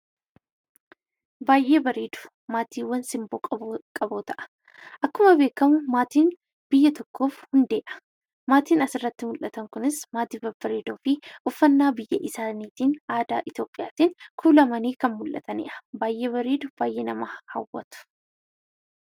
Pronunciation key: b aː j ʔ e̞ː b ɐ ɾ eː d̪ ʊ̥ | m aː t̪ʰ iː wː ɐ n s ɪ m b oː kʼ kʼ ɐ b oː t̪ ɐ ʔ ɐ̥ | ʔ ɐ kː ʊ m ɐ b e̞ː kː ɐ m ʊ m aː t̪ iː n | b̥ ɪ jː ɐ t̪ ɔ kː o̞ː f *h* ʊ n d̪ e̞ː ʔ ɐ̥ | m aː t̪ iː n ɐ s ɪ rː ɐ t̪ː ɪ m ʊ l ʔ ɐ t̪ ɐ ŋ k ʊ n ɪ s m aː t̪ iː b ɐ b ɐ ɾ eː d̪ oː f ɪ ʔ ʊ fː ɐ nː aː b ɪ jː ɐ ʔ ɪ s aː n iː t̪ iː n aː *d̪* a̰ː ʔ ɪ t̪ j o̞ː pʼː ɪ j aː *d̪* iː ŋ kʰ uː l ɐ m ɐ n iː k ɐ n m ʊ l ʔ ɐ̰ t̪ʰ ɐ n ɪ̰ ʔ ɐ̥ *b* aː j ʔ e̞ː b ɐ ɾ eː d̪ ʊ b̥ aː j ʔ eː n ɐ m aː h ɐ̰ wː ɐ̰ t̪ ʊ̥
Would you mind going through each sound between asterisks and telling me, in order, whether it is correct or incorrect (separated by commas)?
correct, correct, incorrect, correct